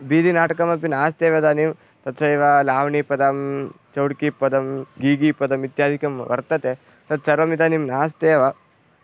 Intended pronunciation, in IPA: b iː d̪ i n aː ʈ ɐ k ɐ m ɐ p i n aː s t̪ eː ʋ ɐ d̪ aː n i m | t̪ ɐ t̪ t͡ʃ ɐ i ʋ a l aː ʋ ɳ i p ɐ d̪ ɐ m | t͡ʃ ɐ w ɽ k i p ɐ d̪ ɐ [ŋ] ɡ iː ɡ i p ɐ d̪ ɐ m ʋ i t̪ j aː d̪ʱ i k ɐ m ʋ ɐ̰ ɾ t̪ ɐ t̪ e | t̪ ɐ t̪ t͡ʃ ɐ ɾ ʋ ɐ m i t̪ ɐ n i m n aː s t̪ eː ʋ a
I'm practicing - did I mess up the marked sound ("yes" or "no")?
yes